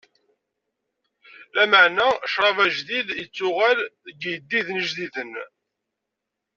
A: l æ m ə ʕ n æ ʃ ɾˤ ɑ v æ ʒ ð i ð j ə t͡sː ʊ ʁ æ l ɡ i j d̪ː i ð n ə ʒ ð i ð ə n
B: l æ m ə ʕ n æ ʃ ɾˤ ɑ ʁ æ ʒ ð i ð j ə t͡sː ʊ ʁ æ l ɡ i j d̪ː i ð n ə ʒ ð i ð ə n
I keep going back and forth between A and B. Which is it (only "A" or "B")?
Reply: A